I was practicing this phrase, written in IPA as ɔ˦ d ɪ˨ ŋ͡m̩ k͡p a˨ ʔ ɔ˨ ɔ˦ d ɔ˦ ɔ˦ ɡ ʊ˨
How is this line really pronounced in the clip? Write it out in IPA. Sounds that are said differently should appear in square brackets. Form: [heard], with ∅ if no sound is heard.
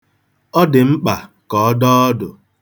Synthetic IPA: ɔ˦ d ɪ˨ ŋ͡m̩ k͡p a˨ [k] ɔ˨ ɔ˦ d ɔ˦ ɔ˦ [d] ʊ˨